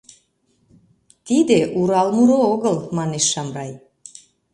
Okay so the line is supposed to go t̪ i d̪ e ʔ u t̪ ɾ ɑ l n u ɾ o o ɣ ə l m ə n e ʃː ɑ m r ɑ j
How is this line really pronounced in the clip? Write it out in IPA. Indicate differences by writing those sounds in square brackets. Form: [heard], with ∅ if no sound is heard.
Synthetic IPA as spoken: t̪ i d̪ e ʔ u [∅] ɾ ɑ l [m] u ɾ o o ɣ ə l m [ɑ] n e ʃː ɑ m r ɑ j